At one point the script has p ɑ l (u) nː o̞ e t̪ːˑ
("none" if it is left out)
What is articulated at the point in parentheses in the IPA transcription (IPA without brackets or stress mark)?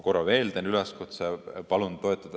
u